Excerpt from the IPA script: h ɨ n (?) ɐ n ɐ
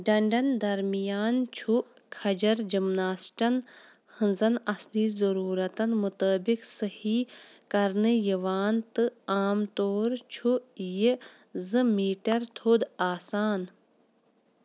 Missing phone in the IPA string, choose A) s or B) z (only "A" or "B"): B